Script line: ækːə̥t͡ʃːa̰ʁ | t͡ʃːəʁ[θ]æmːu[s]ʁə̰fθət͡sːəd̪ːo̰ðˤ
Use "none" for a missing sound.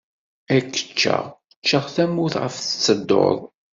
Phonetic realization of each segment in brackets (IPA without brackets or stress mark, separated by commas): θ, θ